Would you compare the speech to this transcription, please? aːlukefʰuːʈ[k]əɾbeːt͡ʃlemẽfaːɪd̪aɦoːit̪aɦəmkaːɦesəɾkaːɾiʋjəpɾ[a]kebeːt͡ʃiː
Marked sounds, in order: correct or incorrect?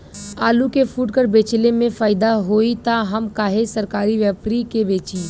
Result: correct, incorrect

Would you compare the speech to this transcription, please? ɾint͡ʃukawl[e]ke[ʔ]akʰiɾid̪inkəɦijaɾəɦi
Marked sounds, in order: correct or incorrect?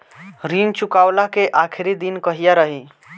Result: incorrect, correct

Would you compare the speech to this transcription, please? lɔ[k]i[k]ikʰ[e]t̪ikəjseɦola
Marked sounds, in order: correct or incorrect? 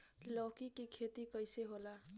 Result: correct, correct, correct

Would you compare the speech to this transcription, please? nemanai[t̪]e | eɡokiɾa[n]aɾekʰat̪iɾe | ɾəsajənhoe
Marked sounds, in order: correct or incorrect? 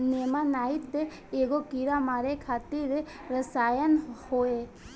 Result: correct, incorrect

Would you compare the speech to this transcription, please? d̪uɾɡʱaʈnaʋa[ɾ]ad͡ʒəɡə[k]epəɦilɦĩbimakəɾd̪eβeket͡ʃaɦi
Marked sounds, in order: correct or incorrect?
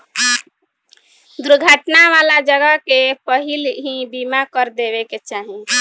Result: incorrect, correct

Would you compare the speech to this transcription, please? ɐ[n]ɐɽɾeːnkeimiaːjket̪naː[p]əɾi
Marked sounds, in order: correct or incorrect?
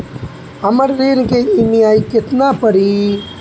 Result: incorrect, correct

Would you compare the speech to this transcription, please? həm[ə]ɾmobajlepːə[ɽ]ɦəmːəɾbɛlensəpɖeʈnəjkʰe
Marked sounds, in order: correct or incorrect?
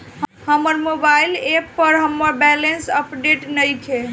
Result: correct, incorrect

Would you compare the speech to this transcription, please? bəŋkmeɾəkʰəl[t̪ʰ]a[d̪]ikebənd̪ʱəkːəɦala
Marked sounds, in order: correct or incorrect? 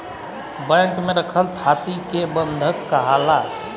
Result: correct, incorrect

